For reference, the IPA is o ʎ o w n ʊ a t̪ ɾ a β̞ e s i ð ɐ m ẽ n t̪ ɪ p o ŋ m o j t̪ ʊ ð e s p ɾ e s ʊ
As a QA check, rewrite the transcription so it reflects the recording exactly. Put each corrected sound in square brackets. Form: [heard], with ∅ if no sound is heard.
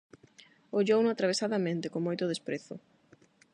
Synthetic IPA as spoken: o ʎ o w n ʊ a t̪ ɾ a β̞ e s [a] ð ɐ m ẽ n t̪ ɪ [k] o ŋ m o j t̪ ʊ ð e s p ɾ e [θ] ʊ

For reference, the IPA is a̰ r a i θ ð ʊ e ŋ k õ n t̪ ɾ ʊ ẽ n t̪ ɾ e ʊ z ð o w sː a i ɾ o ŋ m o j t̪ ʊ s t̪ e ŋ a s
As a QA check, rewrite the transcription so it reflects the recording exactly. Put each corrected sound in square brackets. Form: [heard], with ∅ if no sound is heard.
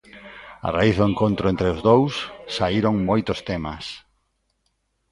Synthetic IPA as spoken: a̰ r a i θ ð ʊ e ŋ k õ n t̪ ɾ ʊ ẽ n t̪ ɾ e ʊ z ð o w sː a i ɾ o ŋ m o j t̪ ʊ s t̪ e [m] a s

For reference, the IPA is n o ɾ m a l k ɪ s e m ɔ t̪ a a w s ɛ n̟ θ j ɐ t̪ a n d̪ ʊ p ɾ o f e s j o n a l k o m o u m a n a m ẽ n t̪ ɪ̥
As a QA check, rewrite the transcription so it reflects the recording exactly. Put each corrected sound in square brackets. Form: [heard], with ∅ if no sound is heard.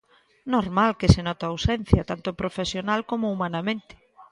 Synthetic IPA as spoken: n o ɾ m a l k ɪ s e [n] ɔ t̪ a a w s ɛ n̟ θ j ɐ t̪ a n [t̪] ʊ p ɾ o f e s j o n a l k o m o u m a n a m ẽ n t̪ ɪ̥

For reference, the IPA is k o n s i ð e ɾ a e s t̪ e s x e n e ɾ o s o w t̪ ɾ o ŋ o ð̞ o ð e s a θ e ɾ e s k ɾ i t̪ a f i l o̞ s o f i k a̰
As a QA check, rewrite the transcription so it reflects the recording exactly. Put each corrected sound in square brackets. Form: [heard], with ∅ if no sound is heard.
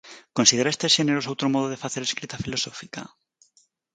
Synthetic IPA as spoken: k o n s i ð e ɾ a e s t̪ e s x e n e ɾ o s o w t̪ ɾ o [m] o ð̞ o ð e [f] a θ e ɾ e s k ɾ i t̪ a f i l o̞ s o f i k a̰

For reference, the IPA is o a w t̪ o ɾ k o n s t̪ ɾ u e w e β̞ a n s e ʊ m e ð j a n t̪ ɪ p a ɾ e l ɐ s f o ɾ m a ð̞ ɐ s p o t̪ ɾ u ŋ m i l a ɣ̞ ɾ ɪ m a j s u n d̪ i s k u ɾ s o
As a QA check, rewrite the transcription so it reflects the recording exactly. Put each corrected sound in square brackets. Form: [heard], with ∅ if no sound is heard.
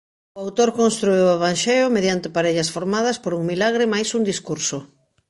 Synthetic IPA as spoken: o a w t̪ o ɾ k o n s t̪ ɾ u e w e β̞ a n [ʃ] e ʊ m e ð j a n t̪ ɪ p a ɾ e [ʎ] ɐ s f o ɾ m a ð̞ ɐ s p o [∅] ɾ u ŋ m i l a ɣ̞ ɾ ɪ m a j s u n d̪ i s k u ɾ s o

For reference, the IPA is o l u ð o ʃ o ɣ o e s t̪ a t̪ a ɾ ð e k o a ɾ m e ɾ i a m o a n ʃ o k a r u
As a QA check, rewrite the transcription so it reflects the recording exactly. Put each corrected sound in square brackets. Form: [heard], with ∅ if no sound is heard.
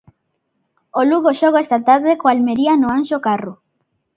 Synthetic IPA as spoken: o l u [ɣ] o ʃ o ɣ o e s t̪ a t̪ a ɾ ð e k o a [l] m e ɾ i a [n] o a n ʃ o k a r u

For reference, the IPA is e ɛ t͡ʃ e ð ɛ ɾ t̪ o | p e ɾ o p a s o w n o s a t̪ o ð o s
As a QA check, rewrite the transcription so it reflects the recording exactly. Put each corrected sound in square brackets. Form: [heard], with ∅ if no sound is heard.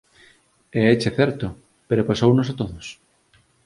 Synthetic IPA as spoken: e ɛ t͡ʃ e [θ] ɛ ɾ t̪ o | p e ɾ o p a s o w n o s a t̪ o ð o s

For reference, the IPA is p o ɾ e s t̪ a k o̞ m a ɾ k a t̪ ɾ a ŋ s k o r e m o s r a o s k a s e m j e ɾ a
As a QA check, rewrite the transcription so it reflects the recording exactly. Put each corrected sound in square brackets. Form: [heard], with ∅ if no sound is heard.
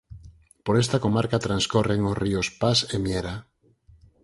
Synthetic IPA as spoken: p o ɾ e s t̪ a k o̞ m a ɾ k a t̪ ɾ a [n] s k o r e [ŋ] o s r [i] o s [p] a s e m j e ɾ a

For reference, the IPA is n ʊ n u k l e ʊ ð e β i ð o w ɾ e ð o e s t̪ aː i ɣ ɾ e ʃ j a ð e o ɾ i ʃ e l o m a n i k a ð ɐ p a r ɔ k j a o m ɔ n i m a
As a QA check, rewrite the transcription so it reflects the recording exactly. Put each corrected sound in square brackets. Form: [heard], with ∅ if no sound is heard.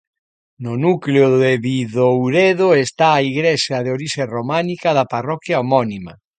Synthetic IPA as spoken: n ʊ n u k l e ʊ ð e β i ð o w ɾ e ð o e s t̪ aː i ɣ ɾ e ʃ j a ð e o ɾ i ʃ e [r] o m a n i k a ð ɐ p a r ɔ k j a o m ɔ n i m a

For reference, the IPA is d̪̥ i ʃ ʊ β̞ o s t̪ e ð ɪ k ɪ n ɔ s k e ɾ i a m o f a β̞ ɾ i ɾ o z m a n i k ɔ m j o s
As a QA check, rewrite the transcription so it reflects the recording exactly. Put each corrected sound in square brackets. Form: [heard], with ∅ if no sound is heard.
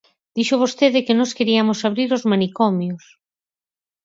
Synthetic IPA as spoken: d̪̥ i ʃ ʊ β̞ o s t̪ e ð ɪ k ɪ n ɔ s k e ɾ i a m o [s] a β̞ ɾ i ɾ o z m a n i k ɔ m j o s

